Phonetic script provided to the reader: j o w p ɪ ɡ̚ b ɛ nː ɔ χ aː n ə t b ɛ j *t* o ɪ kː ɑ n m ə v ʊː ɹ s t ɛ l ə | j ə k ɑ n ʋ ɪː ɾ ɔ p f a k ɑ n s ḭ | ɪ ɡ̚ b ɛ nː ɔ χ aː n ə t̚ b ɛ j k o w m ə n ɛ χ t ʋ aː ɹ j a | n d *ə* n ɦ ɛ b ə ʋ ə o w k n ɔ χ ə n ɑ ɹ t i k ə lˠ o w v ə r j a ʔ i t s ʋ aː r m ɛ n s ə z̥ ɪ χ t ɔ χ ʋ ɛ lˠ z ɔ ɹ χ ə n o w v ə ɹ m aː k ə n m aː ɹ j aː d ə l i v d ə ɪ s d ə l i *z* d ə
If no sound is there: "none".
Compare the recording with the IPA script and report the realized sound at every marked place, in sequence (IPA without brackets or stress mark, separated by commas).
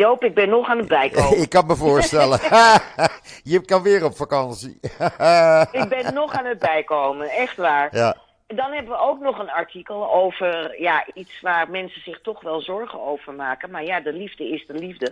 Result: k, ɑ, v